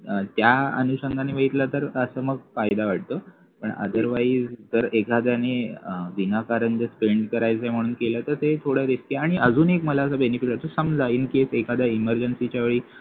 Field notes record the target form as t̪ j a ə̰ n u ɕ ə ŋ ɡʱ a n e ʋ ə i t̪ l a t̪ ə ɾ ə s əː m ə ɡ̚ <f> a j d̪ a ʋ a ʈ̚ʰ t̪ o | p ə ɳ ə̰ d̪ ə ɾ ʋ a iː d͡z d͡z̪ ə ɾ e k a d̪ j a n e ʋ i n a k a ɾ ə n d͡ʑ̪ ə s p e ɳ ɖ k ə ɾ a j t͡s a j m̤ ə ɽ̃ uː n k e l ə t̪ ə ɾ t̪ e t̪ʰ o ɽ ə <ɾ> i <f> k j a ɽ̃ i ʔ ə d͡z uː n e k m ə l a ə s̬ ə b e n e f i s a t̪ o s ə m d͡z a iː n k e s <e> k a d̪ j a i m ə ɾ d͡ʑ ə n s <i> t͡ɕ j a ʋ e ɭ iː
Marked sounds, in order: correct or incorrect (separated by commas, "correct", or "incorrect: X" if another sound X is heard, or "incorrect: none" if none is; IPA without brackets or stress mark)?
correct, correct, incorrect: s, correct, correct